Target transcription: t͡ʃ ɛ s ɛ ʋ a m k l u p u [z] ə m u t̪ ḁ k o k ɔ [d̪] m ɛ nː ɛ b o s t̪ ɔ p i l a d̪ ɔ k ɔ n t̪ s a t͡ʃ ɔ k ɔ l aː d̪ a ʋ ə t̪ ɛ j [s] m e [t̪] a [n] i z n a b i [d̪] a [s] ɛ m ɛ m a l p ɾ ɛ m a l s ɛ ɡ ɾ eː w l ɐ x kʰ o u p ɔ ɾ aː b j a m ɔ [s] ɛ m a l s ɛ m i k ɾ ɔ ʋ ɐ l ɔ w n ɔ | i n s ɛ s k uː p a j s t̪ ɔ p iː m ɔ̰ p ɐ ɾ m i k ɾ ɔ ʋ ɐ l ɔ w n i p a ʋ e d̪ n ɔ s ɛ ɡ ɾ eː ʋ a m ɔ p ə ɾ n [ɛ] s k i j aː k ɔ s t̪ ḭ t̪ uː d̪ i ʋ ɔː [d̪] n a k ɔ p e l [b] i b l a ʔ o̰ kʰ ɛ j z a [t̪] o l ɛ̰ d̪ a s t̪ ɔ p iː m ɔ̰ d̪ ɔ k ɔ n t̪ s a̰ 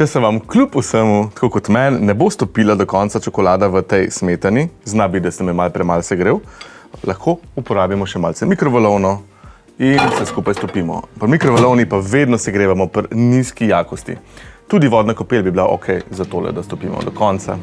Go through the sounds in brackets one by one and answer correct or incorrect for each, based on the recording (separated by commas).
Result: incorrect, incorrect, correct, correct, correct, correct, correct, incorrect, incorrect, correct, correct, correct